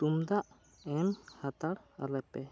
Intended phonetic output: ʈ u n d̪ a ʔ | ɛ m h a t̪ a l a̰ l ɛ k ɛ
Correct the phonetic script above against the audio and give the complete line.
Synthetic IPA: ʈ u m d̪ a ʔ | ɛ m h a t̪ a ɽ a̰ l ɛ p ɛ